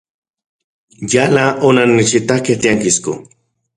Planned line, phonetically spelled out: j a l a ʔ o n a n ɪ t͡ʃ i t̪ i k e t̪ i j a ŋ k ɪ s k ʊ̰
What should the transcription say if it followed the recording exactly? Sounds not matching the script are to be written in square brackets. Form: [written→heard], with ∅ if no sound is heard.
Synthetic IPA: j a l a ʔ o n a n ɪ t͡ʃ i t̪ [i→a] k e t̪ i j a ŋ k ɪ s k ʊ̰